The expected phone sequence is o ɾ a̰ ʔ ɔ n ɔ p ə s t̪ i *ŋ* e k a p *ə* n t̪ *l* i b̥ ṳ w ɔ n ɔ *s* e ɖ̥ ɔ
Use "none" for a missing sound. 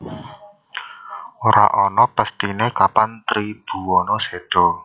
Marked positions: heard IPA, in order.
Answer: n, a, ɾ, s

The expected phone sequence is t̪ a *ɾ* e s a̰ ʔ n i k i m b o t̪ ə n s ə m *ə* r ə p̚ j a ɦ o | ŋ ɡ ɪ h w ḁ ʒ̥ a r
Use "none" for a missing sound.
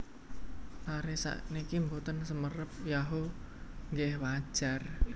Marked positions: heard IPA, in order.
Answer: ɾ, ə

